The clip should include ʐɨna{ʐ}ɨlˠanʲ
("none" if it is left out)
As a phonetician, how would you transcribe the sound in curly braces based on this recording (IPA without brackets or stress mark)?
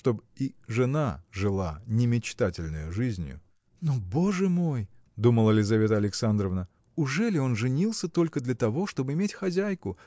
ʐ